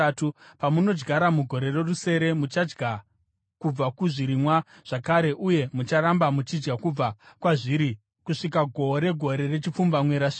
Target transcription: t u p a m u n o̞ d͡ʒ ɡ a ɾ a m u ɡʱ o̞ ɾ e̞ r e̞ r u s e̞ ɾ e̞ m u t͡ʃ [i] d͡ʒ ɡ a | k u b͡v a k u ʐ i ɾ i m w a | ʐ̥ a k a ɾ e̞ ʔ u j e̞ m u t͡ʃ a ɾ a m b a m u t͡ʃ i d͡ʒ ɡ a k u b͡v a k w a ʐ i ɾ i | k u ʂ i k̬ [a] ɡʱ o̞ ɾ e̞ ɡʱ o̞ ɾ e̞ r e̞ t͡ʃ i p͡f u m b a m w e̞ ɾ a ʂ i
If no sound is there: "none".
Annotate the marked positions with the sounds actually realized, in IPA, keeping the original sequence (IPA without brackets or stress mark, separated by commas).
a, a